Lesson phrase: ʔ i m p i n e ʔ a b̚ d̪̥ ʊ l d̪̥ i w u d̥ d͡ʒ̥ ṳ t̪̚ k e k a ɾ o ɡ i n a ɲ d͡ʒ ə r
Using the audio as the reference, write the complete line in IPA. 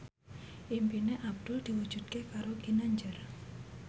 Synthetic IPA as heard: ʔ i m p i n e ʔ a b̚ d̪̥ ʊ l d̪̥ i w u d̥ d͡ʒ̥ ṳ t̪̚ k e k a ɾ o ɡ i n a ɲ d͡ʒ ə r